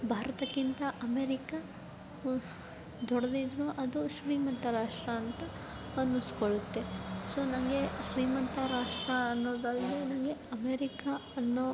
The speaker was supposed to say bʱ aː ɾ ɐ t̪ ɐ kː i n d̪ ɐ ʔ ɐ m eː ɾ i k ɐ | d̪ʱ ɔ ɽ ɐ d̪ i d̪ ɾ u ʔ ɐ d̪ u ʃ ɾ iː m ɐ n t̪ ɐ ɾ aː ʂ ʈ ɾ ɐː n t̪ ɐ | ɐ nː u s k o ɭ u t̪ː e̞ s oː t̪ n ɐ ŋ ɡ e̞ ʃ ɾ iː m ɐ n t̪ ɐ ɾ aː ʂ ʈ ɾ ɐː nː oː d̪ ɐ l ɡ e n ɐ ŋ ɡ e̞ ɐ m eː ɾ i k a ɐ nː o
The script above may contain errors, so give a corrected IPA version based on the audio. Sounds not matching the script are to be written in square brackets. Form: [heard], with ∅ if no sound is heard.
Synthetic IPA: bʱ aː ɾ ɐ t̪ ɐ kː i n [t̪] ɐ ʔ ɐ m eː ɾ i k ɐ | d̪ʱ ɔ ɽ ɐ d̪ i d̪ ɾ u ʔ ɐ d̪ u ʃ ɾ iː m ɐ n t̪ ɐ ɾ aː ʂ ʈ ɾ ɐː n t̪ ɐ | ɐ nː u s k o ɭ u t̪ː e̞ s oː [∅] n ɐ ŋ ɡ e̞ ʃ ɾ iː m ɐ n t̪ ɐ ɾ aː ʂ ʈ ɾ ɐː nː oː d̪ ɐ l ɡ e n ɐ ŋ ɡ e̞ ɐ m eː ɾ i k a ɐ nː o